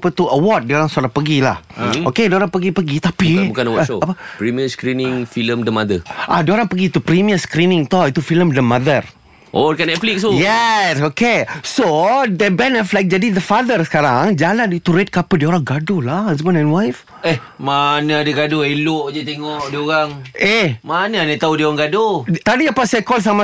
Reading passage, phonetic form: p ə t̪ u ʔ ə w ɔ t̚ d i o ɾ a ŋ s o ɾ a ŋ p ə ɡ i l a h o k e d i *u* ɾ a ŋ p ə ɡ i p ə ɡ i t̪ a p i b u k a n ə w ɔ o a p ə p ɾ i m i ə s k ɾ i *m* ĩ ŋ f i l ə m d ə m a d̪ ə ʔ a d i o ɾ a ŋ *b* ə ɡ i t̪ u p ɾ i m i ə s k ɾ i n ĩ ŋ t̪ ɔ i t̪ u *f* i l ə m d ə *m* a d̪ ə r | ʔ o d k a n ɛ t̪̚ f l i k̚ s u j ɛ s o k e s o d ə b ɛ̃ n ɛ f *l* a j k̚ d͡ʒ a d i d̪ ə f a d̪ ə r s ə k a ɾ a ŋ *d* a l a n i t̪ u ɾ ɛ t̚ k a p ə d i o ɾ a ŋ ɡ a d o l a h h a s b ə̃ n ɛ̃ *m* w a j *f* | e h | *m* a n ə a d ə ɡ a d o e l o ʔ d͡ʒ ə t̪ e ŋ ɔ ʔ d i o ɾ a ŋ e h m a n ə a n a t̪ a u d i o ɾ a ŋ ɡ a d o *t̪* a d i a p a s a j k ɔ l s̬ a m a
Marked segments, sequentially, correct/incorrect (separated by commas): incorrect, incorrect, incorrect, correct, correct, correct, incorrect, incorrect, correct, correct, correct